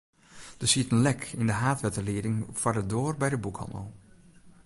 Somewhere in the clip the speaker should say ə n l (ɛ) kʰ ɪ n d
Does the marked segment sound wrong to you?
no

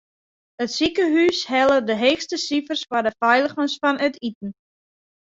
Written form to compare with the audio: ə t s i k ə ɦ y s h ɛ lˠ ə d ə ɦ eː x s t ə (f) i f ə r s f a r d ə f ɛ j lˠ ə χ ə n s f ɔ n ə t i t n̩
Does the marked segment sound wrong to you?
yes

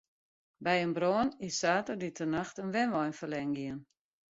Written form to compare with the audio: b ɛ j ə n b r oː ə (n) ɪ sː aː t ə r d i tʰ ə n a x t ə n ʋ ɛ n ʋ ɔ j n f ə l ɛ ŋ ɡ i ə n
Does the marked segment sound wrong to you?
no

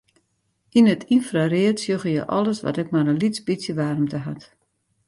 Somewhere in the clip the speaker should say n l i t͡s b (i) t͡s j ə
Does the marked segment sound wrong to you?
no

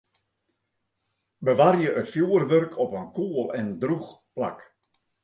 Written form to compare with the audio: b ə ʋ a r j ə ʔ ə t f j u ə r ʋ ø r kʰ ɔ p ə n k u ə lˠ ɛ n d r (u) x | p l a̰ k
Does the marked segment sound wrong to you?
no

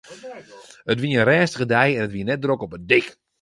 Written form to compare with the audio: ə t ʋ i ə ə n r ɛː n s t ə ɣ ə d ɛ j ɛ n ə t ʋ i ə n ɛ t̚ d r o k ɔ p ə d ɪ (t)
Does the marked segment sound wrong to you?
yes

